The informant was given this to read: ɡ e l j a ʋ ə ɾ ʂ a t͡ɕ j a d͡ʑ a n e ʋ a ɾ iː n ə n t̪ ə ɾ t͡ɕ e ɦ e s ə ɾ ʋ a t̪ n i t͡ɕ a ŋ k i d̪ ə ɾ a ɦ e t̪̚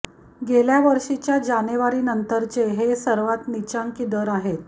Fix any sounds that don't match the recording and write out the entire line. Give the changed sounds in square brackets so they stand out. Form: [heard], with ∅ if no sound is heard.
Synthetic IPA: ɡ e l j a ʋ ə ɾ ʂ [i] t͡ɕ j a d͡ʑ a n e ʋ a ɾ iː n ə n t̪ ə ɾ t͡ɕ e ɦ e s ə ɾ ʋ a t̪ n i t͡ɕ a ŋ k i d̪ ə ɾ a ɦ e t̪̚